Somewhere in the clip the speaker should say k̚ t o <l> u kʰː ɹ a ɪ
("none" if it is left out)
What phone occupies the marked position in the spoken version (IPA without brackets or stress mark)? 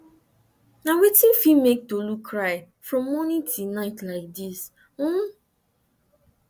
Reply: l